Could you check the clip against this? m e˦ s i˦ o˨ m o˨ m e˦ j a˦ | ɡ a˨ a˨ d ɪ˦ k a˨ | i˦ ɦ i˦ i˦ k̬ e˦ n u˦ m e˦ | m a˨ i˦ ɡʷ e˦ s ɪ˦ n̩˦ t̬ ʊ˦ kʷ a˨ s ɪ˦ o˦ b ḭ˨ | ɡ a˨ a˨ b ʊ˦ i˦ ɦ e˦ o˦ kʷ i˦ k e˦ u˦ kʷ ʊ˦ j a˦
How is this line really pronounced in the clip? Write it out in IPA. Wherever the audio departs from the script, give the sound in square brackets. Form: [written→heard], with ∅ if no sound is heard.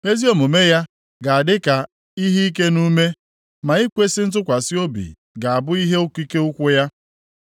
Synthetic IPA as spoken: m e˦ [s→z] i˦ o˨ m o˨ m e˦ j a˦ | ɡ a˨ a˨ d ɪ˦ k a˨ | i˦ ɦ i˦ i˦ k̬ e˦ n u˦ m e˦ | m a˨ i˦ [ɡʷ→kʷ] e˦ s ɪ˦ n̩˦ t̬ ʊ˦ kʷ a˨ s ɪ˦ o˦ b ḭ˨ | ɡ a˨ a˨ b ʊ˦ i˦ ɦ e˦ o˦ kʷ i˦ k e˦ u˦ kʷ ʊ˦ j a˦